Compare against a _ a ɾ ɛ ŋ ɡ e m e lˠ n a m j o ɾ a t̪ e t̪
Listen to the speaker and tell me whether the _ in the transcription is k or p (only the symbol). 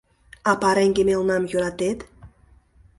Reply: p